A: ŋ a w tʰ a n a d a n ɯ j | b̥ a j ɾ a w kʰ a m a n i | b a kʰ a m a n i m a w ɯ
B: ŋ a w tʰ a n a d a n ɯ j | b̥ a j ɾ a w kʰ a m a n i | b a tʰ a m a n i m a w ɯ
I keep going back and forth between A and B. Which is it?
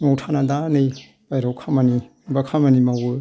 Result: A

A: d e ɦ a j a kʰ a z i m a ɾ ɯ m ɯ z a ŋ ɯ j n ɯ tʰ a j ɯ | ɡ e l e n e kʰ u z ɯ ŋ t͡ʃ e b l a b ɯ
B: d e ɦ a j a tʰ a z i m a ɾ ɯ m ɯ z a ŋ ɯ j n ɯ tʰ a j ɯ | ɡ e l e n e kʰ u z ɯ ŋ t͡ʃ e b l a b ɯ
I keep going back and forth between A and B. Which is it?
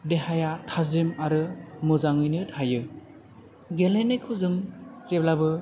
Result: B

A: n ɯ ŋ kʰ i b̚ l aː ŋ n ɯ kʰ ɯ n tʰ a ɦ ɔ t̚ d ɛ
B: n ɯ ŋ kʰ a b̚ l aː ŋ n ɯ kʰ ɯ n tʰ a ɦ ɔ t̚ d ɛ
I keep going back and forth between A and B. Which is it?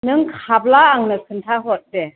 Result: B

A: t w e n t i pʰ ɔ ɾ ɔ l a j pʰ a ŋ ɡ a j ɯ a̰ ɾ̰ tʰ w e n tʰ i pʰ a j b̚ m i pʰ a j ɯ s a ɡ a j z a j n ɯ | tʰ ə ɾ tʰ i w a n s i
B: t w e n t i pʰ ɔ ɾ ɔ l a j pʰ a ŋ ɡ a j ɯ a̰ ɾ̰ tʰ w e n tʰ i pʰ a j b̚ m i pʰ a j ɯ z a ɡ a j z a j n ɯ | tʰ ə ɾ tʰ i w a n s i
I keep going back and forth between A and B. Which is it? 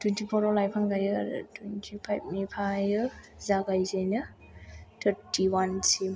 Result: B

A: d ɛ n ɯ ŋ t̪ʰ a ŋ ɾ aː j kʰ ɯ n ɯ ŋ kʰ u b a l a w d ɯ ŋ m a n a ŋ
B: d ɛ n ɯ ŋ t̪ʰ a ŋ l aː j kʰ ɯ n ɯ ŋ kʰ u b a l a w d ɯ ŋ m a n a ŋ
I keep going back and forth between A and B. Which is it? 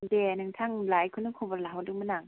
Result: B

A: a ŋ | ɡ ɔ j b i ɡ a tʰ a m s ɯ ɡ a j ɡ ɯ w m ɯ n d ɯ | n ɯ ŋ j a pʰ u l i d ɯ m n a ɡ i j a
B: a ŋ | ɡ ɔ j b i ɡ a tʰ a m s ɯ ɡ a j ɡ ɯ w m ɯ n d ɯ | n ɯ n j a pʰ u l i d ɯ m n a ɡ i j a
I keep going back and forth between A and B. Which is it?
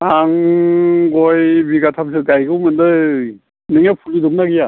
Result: A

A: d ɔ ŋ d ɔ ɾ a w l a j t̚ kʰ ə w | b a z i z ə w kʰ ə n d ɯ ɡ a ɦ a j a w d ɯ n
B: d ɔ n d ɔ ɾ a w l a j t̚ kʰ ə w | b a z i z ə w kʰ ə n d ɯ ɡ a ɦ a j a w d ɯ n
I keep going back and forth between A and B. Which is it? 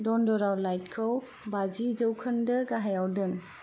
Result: B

